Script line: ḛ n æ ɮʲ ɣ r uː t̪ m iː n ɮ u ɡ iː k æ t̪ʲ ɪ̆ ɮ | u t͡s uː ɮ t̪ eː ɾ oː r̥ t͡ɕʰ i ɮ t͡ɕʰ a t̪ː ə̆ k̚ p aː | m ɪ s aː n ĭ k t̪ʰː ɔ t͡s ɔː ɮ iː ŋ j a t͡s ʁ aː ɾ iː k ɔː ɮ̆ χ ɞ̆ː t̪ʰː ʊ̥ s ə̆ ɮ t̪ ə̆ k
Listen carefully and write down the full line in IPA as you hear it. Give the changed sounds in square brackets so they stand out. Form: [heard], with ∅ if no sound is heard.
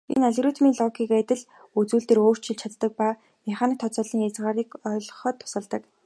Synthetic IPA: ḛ n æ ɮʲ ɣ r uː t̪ m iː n ɮ [ɔ] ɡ iː k æ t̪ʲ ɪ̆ ɮ | u t͡s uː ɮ t̪ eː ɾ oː r̥ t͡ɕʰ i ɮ t͡ɕʰ a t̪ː ə̆ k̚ p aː | m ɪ [χ] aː n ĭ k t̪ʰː ɔ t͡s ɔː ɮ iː ŋ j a t͡s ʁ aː ɾ iː k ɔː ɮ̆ χ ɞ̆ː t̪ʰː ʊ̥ s ə̆ ɮ t̪ ə̆ k